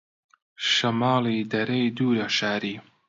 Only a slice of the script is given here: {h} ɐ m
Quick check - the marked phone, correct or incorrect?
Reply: incorrect